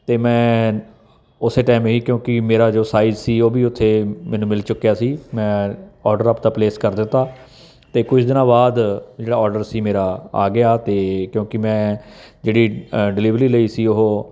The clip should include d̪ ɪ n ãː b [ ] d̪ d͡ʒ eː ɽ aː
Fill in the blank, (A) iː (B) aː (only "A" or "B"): B